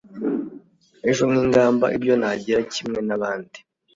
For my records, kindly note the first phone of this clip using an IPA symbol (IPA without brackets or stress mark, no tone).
e